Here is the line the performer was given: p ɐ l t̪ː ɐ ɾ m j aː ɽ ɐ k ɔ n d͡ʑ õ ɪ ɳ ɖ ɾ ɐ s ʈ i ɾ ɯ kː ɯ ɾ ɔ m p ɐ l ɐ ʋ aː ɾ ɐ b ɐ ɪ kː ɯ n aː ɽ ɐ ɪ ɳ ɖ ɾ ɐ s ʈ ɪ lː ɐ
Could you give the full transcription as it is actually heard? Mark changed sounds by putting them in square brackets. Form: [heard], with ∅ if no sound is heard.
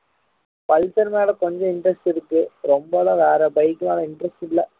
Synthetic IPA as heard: p ɐ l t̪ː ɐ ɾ m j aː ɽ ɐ k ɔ [ɲ] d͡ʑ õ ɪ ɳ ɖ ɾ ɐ s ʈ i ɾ ɯ kː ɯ ɾ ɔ m [b] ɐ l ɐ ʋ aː ɾ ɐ b ɐ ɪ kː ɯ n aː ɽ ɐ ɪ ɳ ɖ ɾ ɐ s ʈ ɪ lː ɐ